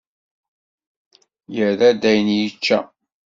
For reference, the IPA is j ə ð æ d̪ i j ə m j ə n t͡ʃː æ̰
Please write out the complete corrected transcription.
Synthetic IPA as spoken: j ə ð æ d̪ æ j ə n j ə t͡ʃː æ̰